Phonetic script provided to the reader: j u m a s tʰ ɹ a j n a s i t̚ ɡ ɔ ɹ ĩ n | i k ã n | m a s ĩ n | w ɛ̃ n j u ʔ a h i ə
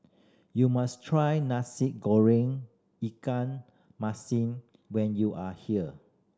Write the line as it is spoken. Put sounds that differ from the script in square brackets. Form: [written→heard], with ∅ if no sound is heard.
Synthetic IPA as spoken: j u m a s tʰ ɹ a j n a s i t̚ ɡ ɔ ɹ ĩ [n→ŋ] | i k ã n | m a s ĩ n | w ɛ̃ n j u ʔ a h i ə

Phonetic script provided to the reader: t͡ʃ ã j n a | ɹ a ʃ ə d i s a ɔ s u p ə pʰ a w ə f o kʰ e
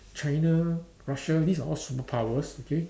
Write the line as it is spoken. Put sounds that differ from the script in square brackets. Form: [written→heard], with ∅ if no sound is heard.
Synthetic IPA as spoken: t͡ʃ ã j n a | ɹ a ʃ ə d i s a ɔ s u p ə pʰ a w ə [f→s] o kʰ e

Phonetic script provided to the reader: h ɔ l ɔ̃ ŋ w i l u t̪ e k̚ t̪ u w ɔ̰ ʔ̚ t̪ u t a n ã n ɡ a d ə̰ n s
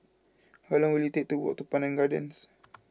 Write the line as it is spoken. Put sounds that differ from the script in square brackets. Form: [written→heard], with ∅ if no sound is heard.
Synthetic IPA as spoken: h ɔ l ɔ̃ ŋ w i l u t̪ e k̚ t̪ u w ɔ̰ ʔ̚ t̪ u [t→p] a n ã n ɡ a d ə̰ n s

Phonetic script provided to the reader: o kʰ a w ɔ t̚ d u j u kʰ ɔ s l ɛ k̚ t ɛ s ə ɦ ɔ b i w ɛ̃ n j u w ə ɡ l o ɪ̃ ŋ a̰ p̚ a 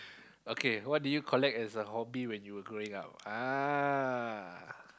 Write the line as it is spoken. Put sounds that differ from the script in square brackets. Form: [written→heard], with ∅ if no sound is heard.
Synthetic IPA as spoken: o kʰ [a→e] w ɔ t̚ d u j u kʰ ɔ [s→∅] l ɛ k̚ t ɛ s ə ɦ ɔ b i w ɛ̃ n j u w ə ɡ [l→ɹ] o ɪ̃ ŋ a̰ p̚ a

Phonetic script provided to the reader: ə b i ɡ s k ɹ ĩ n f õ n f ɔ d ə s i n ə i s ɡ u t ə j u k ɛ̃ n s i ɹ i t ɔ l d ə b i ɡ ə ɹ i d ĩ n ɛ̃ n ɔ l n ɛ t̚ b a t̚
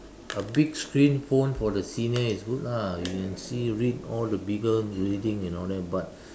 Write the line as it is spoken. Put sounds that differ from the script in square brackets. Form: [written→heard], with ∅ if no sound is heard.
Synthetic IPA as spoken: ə b i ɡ s k ɹ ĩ n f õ n f ɔ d ə s i n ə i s ɡ u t [ə→a] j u k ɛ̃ n s i ɹ i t ɔ l d ə b i ɡ ə ɹ i d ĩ [n→ŋ] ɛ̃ n ɔ l [n→d] ɛ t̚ b a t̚

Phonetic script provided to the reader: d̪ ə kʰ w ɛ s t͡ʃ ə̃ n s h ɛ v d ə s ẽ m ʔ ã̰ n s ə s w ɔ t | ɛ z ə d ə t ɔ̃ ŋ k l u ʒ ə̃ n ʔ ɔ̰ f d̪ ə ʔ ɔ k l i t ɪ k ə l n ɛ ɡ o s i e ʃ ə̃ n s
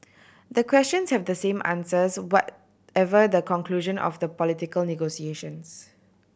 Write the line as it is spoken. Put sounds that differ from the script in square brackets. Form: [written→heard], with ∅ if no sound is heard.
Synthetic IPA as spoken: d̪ ə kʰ w ɛ s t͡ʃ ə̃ n s h ɛ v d ə s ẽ m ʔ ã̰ n s ə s w ɔ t | ɛ [z→v] ə d ə [t→k] ɔ̃ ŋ k l u ʒ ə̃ n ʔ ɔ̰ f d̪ ə [ʔ→p] ɔ [k→∅] l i t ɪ k ə l n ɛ ɡ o s i e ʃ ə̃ n s

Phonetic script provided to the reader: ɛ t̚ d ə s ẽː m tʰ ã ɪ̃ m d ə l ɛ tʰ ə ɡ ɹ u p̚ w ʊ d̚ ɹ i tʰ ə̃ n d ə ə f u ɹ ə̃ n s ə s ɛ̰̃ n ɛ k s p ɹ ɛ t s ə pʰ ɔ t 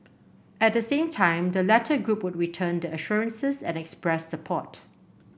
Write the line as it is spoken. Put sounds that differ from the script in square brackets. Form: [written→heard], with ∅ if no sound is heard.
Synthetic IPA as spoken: ɛ t̚ d ə s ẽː m tʰ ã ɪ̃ m d ə l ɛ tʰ ə ɡ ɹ u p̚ w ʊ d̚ ɹ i tʰ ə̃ n d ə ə [f→ʃ] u ɹ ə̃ n s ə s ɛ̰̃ n ɛ k s p ɹ ɛ [t→s] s ə pʰ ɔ t

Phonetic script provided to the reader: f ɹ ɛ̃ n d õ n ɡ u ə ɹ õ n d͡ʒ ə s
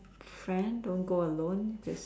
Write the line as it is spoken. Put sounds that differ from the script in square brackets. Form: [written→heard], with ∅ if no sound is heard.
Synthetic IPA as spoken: f ɹ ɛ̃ n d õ n ɡ [u→o] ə [ɹ→l] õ n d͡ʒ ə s

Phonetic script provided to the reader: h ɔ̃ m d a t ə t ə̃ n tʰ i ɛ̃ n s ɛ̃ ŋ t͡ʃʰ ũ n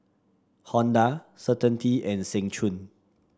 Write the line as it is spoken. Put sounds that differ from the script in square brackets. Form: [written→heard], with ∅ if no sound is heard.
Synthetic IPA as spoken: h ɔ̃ [m→n] d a [t→s] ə t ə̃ n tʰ i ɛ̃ n s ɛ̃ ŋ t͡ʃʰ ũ n

